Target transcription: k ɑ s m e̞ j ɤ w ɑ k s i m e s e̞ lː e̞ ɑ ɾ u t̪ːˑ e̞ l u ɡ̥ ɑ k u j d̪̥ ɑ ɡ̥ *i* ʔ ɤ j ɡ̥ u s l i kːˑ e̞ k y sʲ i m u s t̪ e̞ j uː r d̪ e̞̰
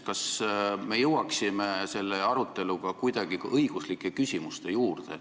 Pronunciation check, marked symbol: correct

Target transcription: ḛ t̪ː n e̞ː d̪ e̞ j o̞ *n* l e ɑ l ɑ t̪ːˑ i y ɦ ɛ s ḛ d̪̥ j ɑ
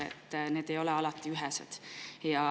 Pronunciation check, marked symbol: incorrect: none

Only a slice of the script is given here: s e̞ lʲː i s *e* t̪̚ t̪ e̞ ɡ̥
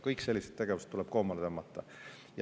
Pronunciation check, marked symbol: correct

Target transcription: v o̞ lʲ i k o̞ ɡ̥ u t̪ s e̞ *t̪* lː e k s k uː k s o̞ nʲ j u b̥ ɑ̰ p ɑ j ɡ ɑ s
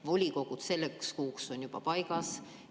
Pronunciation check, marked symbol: incorrect: none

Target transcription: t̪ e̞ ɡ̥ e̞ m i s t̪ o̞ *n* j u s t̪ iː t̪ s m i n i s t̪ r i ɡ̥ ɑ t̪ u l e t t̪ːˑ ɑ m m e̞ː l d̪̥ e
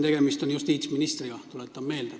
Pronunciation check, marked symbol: correct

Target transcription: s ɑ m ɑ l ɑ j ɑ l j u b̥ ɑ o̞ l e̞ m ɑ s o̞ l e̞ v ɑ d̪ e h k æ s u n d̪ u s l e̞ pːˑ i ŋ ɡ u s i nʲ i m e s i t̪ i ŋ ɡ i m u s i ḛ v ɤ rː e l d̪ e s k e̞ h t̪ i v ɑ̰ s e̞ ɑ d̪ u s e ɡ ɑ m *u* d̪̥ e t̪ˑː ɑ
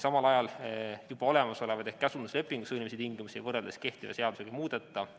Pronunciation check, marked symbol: incorrect: uː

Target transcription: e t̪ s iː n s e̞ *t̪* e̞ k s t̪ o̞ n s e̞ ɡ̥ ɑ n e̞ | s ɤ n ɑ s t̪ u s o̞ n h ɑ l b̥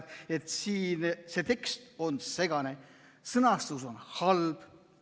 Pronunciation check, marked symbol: correct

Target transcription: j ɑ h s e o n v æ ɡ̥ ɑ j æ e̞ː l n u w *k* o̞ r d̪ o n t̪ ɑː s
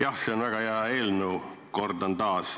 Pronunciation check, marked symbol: correct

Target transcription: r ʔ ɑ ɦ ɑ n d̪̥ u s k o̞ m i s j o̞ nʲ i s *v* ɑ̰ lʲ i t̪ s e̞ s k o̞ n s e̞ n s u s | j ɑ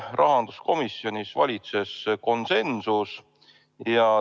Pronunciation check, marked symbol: correct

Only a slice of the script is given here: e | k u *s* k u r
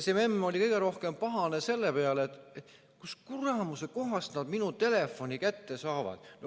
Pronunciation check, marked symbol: correct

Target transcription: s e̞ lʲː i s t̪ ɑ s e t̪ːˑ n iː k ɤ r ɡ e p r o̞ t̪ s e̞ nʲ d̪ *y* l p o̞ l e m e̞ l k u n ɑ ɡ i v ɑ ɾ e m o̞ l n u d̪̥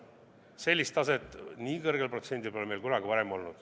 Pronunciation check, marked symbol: incorrect: i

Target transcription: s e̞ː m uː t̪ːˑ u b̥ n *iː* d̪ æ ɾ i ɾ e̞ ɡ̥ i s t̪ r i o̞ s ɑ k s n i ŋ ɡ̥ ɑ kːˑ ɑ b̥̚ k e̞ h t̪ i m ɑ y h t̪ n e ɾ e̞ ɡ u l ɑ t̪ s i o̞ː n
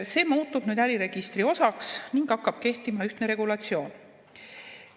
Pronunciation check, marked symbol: incorrect: yː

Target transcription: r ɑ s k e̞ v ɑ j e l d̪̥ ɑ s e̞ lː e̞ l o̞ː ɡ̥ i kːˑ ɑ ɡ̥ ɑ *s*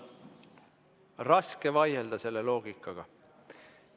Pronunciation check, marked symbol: incorrect: none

